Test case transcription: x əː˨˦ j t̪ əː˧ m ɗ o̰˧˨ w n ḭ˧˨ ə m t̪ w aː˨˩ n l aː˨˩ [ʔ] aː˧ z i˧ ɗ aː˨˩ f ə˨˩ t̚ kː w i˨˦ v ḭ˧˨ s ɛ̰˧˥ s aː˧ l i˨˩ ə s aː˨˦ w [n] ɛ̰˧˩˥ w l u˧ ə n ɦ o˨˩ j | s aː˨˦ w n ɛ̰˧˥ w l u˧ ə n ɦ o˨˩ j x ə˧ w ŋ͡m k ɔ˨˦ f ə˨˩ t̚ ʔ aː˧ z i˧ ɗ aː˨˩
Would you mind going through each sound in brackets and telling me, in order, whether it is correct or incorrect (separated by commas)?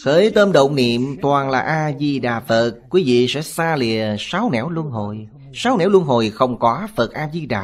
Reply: correct, correct